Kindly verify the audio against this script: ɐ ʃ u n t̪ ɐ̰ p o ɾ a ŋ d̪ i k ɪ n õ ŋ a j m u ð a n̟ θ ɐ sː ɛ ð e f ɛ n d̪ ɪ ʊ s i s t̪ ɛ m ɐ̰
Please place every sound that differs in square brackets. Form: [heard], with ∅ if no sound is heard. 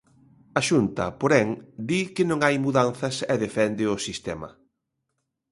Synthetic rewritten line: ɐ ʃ u n t̪ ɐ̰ p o ɾ [ɛ] ŋ d̪ i k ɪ n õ ŋ a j m u ð a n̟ θ ɐ [s] ɛ ð e f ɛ n d̪ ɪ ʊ s i s t̪ ɛ m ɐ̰